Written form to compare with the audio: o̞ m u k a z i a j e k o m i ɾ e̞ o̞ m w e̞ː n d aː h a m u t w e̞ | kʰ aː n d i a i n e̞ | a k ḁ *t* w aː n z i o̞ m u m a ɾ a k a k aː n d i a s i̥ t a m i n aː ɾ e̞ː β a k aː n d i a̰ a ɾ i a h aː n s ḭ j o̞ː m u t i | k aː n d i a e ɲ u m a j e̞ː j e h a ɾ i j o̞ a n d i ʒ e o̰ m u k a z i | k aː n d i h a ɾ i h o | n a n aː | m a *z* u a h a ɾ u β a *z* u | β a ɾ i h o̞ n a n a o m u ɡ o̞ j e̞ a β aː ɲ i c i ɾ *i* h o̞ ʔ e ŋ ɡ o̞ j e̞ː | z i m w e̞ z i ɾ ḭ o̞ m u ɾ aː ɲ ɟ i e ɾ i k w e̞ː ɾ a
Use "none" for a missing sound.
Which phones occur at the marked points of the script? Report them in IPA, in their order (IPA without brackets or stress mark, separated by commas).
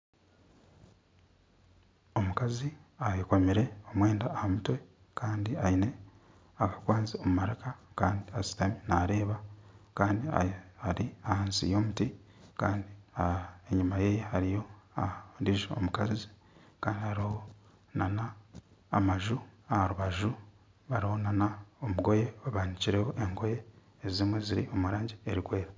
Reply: k, ʒ, ʒ, e